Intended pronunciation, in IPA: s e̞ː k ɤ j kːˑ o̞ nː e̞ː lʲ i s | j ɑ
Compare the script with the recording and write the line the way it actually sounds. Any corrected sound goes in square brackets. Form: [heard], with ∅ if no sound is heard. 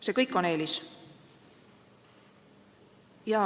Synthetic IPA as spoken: s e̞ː k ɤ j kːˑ o̞ [n] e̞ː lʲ i s | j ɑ

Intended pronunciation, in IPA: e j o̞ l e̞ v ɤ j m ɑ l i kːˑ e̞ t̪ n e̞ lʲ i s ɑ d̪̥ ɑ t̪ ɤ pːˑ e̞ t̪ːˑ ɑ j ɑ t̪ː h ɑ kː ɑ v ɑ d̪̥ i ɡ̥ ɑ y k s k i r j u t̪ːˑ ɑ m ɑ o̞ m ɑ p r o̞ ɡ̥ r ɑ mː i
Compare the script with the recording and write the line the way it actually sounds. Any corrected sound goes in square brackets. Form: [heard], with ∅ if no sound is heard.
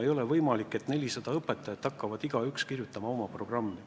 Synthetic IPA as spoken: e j o̞ l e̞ v ɤ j m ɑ l i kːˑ e̞ t̪ n e̞ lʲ i s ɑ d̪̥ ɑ [∅] ɤ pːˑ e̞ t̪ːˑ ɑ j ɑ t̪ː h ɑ kː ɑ v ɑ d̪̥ i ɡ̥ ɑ y k s k i r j u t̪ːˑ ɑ m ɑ o̞ m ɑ p r o̞ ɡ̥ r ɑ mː i

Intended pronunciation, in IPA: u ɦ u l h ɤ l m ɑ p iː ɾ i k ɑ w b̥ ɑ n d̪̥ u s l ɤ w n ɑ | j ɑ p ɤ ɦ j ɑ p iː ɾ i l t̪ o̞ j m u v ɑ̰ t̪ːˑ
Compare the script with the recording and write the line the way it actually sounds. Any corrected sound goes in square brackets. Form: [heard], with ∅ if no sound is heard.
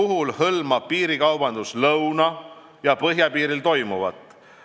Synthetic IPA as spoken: u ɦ u l h ɤ l m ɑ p iː ɾ i k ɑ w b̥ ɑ n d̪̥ u s l ɤ w n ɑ | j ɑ p ɤ ɦ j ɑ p iː ɾ i l t̪ o̞ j m u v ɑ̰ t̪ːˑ

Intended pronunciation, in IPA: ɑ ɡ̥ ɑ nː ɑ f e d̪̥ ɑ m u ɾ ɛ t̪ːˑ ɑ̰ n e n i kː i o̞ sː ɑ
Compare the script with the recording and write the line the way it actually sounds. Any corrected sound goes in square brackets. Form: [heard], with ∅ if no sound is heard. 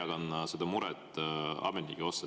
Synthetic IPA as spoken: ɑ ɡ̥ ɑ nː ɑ [s] e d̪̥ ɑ m u ɾ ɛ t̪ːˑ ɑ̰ [m] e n i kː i o̞ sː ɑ

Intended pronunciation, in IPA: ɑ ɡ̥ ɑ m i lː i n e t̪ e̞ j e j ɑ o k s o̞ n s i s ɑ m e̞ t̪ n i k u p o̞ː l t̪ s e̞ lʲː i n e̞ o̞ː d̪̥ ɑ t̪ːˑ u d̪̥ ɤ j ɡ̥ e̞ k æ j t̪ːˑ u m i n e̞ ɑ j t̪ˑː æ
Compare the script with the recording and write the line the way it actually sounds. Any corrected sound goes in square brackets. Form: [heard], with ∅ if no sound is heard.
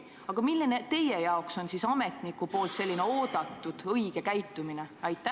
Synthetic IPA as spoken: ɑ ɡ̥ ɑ m i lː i n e t̪ e̞ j e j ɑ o k s o̞ n s i s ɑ m e̞ t̪ n i k u p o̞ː l t̪ s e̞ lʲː i n e̞ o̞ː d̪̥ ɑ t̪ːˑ u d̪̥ ɤ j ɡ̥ e̞ k æ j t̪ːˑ u m i n e̞ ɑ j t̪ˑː æ

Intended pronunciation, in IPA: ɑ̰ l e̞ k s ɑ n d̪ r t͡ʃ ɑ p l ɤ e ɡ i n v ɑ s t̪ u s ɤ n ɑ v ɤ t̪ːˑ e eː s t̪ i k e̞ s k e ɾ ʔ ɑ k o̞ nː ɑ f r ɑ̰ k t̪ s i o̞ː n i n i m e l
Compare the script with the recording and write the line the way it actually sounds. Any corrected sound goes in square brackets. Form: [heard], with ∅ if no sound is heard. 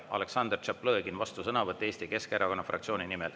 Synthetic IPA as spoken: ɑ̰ l e̞ k s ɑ n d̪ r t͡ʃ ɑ p l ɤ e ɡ i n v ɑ s t̪ u s ɤ n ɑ v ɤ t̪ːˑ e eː s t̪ i k e̞ s k e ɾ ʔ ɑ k o̞ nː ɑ f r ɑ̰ k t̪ s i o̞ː n i n i m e l

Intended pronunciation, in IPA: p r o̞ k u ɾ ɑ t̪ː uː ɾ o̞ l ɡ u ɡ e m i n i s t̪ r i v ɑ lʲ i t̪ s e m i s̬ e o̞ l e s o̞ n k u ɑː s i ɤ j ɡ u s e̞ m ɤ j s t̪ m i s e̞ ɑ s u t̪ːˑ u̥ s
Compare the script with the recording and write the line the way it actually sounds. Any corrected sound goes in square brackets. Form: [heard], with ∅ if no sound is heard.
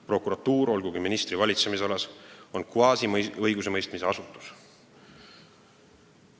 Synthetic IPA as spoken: p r o̞ k u ɾ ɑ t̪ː uː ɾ o̞ l ɡ u ɡ [i] m i n i s t̪ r i v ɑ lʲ i t̪ s e m i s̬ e o̞ l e s o̞ n k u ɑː s i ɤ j ɡ u s e̞ m ɤ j s t̪ m i s e̞ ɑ s u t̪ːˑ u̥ s

